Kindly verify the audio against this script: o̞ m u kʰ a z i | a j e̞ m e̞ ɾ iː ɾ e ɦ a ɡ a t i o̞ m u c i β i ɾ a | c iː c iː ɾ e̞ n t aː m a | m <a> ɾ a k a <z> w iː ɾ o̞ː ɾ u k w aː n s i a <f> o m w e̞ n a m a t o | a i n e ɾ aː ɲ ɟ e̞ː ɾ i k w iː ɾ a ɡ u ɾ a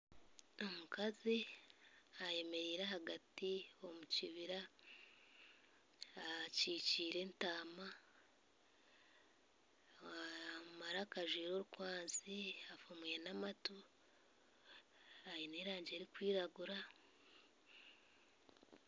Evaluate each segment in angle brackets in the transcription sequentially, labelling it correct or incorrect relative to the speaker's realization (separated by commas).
correct, incorrect, correct